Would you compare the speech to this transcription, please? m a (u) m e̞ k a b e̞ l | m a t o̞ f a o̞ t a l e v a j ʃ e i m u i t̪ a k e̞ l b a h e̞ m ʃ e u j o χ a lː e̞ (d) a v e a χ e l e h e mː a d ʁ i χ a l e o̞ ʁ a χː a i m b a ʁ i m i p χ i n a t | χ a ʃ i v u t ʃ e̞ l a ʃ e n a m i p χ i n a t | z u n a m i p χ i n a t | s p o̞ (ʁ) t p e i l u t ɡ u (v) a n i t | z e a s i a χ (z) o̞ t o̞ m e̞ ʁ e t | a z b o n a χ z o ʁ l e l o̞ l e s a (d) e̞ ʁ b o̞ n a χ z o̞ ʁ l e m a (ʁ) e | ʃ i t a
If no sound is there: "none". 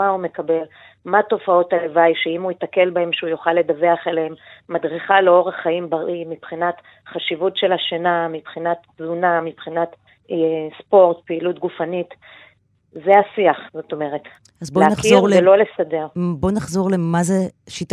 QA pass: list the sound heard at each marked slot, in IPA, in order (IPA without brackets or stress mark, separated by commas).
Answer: u, d, ʁ, f, z, d, z